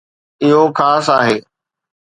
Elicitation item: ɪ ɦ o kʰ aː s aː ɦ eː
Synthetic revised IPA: ɪ ɦ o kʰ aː s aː ɦ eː